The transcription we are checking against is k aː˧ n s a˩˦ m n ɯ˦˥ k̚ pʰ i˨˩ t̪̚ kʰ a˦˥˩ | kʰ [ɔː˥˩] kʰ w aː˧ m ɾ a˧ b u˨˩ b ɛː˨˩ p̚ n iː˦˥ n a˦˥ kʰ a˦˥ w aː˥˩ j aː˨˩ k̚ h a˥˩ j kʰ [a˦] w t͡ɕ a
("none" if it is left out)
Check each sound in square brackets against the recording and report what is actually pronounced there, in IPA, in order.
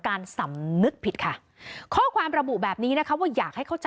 ɔː˥˩, a˥˩

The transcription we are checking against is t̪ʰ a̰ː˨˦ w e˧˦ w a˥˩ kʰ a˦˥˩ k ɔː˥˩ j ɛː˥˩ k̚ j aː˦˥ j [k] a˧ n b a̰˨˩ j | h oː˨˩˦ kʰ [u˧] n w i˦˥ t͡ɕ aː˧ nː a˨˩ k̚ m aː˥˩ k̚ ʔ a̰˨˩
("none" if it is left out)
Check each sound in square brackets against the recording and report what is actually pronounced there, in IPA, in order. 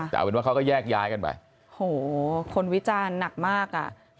k, o˧

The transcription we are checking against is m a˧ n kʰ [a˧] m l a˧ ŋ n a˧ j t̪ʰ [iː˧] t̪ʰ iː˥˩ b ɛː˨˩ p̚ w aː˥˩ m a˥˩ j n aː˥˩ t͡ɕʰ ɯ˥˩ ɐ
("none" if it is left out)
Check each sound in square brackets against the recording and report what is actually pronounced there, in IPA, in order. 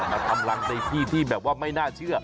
a˧, iː˥˩

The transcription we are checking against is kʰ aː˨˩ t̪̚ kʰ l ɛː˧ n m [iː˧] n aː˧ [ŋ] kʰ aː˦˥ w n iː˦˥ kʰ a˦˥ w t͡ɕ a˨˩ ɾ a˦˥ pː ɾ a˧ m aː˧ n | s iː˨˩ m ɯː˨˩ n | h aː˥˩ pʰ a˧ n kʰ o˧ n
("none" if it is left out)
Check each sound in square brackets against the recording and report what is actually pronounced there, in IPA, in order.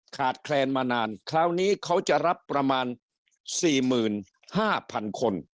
aː˧, n

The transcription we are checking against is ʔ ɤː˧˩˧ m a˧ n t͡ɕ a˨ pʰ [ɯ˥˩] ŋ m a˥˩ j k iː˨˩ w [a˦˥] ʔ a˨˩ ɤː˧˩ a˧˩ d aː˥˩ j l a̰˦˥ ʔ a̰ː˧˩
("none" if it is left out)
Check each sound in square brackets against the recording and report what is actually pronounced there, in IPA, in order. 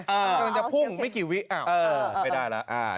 u˥˩, i˦˥

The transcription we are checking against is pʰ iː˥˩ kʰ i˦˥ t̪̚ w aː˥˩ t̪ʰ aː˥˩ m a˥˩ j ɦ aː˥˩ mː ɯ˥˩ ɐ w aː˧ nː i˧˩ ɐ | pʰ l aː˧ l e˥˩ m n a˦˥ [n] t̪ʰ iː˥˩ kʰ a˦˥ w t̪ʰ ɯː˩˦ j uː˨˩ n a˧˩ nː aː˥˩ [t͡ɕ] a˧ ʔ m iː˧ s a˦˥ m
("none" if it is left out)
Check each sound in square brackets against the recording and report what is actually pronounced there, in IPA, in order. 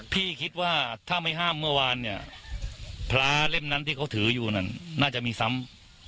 n, t͡ɕ

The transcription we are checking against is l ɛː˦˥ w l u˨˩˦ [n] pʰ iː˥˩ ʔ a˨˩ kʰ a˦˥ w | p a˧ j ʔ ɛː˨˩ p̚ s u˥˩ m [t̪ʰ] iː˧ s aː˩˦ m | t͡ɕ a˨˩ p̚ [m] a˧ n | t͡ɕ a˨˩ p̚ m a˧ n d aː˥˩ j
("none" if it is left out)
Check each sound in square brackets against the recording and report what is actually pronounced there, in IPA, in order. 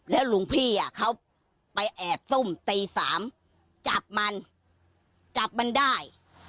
ŋ, t̪, m

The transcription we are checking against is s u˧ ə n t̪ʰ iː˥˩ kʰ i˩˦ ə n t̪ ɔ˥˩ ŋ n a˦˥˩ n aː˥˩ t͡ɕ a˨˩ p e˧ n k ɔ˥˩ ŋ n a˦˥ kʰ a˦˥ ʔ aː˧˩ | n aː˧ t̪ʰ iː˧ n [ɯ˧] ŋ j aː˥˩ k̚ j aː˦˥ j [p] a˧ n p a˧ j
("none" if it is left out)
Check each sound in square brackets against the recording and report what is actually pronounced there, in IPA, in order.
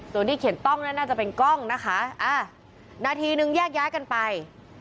ɯ˧, k

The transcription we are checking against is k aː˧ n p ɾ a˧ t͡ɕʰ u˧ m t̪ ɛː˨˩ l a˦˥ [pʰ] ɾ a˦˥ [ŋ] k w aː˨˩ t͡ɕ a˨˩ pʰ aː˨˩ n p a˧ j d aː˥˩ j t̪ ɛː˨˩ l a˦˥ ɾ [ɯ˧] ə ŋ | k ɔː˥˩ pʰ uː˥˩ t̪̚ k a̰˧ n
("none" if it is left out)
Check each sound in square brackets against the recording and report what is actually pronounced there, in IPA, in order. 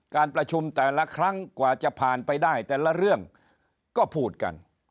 kʰ, ŋ, ɯ˥˩

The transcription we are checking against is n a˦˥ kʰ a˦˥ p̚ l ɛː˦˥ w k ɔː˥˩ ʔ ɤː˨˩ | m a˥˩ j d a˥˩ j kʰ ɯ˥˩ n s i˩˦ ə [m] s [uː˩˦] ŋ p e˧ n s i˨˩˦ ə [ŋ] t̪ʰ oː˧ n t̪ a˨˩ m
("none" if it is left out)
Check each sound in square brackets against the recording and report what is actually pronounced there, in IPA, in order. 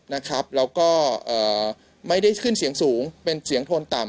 ŋ, uː˩˦, ŋ

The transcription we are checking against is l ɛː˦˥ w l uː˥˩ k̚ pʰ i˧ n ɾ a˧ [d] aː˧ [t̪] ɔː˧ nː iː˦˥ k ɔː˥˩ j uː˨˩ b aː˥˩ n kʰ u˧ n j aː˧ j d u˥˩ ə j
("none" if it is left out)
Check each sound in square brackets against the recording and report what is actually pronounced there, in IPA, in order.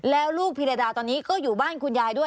d, t̪

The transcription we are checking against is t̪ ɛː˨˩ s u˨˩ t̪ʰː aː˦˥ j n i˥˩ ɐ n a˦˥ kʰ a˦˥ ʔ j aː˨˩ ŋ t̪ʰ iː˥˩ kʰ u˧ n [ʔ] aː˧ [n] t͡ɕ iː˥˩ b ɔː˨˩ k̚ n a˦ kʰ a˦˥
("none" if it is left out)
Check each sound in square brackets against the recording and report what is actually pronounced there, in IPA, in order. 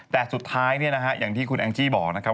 ʔ, ŋ

